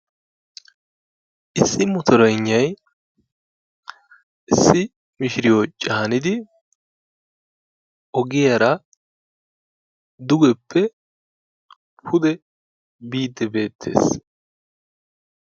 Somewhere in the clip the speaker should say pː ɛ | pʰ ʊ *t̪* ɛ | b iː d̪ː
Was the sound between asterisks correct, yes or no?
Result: no